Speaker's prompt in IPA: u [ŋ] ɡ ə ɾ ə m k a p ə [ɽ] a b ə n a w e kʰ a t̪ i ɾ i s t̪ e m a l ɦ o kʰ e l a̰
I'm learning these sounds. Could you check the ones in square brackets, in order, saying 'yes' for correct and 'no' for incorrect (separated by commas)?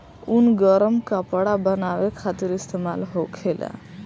no, yes